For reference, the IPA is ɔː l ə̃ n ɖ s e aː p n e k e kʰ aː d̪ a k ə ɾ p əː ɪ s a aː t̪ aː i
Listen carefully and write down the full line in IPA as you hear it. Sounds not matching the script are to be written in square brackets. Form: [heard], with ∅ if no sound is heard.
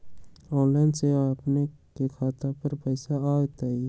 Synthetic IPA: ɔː l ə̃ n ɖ s e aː p n e k e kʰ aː [t̪] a [p] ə ɾ p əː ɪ s a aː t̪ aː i